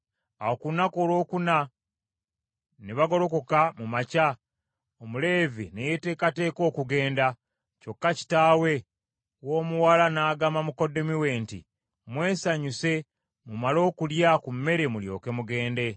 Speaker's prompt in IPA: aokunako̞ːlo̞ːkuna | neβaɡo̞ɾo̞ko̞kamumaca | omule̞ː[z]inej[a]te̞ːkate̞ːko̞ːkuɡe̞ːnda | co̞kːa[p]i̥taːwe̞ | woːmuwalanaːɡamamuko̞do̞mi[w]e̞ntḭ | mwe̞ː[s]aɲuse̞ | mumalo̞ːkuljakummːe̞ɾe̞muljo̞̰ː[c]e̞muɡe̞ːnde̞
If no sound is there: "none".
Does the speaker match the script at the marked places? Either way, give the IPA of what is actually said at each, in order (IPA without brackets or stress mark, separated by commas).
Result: v, e, c, w, s, k